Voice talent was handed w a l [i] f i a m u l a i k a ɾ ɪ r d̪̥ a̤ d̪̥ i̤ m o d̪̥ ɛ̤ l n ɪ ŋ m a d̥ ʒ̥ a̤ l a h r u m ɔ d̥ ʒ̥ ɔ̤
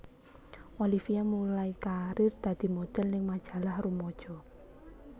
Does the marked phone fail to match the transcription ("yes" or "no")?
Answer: no